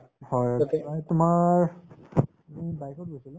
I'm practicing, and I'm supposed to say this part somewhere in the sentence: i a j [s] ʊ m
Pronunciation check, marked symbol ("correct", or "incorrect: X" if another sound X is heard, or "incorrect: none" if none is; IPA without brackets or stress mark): incorrect: t